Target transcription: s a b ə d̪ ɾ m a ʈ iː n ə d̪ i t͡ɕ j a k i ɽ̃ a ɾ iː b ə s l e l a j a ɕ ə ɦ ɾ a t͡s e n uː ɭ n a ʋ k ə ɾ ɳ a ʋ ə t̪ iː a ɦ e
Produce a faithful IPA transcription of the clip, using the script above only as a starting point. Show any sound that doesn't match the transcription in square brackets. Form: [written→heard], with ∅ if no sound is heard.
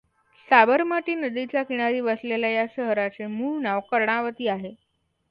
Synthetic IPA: s a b ə [d̪→∅] ɾ m a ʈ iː n ə d̪ i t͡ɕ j a k i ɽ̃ a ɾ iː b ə s l e l a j a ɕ ə ɦ ɾ a t͡s e [n→m] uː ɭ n a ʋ k ə ɾ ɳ a ʋ ə t̪ iː a ɦ e